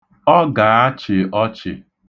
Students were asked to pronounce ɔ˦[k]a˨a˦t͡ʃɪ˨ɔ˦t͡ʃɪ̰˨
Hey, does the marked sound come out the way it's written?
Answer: no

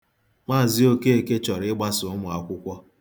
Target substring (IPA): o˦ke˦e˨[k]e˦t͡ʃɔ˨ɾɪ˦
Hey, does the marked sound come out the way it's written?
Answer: yes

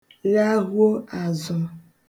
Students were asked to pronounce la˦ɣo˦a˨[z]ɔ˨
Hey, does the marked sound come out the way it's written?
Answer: yes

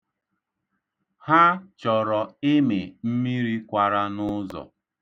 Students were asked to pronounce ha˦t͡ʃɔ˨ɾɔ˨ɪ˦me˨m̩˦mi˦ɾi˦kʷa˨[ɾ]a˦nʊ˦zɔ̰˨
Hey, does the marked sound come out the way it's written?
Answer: yes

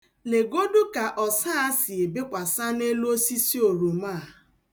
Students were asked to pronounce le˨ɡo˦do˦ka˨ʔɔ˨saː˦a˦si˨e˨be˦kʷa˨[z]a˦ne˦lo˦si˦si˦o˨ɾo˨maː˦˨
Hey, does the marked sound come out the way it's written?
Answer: no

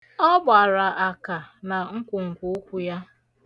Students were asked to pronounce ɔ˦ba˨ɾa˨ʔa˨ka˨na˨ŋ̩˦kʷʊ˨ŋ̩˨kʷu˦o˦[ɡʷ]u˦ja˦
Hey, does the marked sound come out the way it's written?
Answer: no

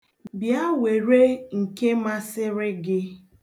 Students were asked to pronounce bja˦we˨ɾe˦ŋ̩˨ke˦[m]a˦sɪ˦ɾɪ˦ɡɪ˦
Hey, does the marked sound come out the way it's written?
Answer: yes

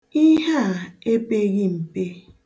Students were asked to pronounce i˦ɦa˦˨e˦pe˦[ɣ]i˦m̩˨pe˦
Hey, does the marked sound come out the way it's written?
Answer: yes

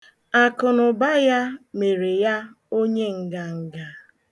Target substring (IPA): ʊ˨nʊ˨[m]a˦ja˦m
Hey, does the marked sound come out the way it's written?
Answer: no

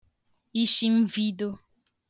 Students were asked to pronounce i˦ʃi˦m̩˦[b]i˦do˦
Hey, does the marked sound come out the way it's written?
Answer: no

